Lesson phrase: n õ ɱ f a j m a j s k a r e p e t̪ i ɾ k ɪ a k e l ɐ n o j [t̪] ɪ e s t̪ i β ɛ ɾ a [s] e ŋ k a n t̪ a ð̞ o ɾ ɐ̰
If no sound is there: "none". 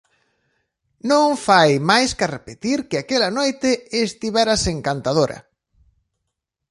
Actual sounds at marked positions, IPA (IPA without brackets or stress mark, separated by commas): t̪, s